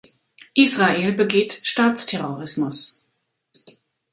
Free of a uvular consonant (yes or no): no